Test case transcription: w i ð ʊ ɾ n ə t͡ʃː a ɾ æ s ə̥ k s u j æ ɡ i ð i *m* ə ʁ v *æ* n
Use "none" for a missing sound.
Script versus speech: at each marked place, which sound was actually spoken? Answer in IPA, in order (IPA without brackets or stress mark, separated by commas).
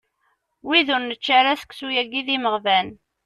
m, æ